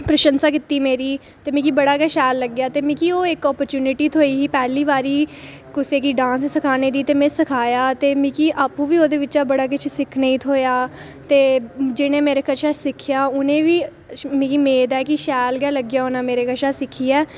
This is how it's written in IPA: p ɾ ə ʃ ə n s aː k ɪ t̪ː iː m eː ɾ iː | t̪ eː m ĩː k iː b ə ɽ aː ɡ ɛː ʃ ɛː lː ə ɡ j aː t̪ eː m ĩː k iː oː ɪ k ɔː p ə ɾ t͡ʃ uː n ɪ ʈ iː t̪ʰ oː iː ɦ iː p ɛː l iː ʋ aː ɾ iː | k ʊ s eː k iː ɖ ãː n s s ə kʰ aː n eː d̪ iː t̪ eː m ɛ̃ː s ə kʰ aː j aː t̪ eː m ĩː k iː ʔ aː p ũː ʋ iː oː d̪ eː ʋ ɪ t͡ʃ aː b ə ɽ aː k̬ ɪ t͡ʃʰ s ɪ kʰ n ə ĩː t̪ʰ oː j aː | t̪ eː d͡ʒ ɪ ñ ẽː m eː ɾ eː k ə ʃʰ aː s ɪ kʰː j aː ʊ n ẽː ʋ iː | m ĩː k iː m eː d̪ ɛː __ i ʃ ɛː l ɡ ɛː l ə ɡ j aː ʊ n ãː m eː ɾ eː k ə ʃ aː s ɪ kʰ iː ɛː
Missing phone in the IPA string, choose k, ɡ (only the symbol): k